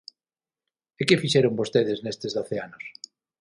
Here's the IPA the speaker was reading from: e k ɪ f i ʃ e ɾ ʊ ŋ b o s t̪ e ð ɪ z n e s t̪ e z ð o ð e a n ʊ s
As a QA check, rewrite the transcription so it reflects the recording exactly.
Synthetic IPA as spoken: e k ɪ f i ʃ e ɾ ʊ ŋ b o s t̪ e ð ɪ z n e s t̪ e z ð o θ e a n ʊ s